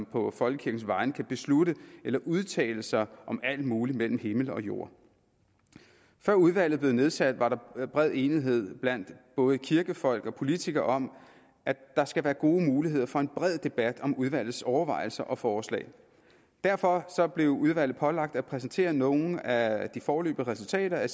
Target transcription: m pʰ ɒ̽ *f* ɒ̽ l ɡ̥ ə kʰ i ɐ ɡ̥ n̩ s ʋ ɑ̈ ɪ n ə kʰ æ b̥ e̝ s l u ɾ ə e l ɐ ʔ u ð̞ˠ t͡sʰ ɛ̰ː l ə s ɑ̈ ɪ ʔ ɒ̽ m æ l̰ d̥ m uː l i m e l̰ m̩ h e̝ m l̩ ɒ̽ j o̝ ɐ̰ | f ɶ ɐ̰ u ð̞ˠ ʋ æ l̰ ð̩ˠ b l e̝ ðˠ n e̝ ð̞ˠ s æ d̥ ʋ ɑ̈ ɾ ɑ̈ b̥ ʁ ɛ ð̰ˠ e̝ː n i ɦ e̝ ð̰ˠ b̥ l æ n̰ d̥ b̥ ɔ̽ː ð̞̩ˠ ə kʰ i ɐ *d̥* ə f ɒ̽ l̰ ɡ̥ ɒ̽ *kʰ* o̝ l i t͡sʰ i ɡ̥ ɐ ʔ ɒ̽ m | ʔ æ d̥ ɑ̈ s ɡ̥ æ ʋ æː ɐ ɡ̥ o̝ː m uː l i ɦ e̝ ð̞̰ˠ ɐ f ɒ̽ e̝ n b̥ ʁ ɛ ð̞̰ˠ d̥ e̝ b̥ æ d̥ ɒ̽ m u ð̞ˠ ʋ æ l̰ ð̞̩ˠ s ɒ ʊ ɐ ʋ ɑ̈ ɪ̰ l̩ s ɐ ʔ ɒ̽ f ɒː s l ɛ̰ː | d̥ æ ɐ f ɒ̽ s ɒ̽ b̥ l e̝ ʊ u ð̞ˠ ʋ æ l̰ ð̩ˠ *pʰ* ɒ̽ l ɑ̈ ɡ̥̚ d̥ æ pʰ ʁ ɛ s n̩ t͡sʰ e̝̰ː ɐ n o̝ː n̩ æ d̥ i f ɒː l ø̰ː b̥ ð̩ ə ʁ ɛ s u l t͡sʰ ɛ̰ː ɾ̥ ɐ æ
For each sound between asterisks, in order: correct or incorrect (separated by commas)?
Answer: correct, incorrect, incorrect, correct